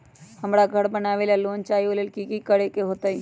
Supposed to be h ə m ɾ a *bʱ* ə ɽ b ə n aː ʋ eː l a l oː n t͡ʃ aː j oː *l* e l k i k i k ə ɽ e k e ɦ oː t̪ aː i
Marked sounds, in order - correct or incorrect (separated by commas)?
incorrect, correct